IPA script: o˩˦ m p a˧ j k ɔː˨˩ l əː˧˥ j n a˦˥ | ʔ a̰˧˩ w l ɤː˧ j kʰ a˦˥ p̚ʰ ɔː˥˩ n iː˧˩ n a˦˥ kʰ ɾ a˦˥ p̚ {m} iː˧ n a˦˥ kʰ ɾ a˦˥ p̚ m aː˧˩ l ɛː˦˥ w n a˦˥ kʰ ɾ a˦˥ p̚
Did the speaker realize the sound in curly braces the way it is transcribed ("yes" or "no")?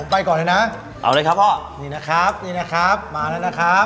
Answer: no